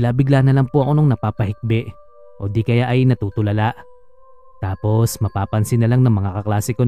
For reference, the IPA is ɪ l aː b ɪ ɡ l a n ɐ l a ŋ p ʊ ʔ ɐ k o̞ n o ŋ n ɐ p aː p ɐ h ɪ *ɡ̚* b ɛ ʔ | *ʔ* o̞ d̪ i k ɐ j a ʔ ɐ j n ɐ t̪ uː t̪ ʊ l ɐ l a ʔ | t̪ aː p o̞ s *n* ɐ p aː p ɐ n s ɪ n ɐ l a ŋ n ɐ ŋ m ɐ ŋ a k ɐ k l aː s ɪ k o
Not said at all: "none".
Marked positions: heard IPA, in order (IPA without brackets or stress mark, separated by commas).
k̚, ʔ, m